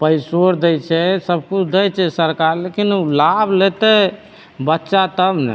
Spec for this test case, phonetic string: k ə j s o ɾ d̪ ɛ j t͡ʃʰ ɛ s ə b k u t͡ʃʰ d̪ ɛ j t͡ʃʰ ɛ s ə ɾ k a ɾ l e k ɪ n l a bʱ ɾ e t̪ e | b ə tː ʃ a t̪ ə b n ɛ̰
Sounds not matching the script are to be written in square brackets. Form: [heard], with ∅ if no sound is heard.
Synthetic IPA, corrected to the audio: [p] ə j s o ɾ d̪ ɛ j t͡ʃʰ ɛ s ə b k u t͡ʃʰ d̪ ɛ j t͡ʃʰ ɛ s ə ɾ k a ɾ l e k [i] n l a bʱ [l] e t̪ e | b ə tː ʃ a t̪ ə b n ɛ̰